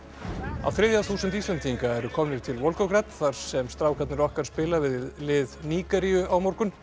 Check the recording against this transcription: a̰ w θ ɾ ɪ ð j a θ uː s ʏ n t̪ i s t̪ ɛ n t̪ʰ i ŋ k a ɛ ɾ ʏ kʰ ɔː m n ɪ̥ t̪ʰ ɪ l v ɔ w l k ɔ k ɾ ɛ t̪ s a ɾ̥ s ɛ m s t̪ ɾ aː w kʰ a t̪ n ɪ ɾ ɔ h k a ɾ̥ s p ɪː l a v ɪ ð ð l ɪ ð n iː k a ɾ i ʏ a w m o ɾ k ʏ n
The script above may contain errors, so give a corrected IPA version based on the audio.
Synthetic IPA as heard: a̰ w θ ɾ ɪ ð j a θ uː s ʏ n t̪ i s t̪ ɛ n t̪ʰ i ŋ k a ɛ ɾ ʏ kʰ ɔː m n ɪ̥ t̪ʰ ɪ l v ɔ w l k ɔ k ɾ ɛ t̪ θ a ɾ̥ s ɛ m s t̪ ɾ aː w kʰ a t̪ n ɪ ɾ ɔ h k a ɾ̥ s p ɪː l a v ɪ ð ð l ɪ ð n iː k a ɾ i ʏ a w m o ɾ k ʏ n